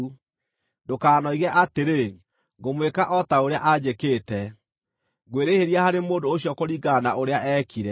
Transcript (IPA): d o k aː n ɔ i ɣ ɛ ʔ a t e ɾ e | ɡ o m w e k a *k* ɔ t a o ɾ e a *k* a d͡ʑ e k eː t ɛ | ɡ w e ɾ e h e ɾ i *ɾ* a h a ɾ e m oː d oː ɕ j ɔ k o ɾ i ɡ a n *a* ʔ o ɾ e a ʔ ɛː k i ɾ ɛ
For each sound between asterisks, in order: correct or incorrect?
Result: incorrect, incorrect, incorrect, correct

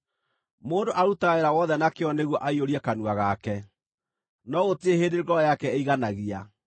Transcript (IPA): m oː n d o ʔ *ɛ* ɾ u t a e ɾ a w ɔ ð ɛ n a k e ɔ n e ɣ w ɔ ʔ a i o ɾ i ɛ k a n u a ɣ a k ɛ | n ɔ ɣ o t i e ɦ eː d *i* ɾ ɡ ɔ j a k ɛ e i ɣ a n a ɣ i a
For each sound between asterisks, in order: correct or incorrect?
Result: incorrect, incorrect

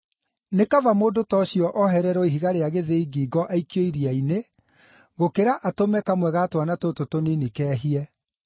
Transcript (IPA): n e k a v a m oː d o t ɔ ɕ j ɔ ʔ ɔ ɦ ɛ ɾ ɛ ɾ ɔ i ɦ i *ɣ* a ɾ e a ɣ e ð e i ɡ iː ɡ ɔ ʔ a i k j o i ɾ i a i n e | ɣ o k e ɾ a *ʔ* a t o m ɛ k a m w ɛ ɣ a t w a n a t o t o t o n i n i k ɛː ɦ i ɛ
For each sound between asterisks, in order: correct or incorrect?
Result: correct, correct

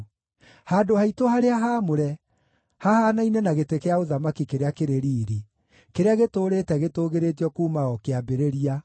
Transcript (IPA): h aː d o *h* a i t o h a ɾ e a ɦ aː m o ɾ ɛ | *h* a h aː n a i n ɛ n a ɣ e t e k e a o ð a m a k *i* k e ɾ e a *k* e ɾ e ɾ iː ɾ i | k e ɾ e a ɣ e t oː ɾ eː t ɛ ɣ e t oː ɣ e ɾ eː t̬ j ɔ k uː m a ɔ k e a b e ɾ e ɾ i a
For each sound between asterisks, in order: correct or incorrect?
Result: correct, correct, correct, correct

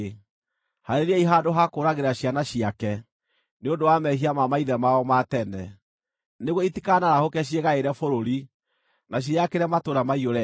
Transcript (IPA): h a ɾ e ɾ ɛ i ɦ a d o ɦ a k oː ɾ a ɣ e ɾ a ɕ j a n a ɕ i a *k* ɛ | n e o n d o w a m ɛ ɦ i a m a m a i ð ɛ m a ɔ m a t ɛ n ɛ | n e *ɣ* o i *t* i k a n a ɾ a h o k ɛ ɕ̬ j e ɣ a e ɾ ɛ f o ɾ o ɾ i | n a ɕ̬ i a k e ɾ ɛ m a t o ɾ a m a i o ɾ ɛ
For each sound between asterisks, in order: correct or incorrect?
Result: correct, correct, correct

